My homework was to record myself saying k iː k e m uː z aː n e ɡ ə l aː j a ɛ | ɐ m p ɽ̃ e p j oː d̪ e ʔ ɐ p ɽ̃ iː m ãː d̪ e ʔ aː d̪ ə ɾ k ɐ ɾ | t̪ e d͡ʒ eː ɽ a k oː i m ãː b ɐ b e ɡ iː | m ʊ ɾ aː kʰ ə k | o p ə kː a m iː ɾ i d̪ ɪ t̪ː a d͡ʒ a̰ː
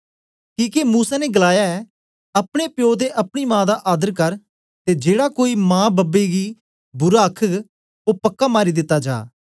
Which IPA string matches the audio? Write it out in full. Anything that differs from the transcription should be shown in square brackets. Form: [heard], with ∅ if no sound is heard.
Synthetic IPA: k iː k e m uː [s] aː n e ɡ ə l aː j a ɛ | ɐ [∅] p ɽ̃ e p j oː d̪ e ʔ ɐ p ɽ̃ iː m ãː d̪ [a] ʔ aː d̪ ə ɾ k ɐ ɾ | t̪ e d͡ʒ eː ɽ a k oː i m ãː b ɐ b e ɡ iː | [b] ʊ ɾ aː kʰ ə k | o p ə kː a m [aː] ɾ i d̪ ɪ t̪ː a d͡ʒ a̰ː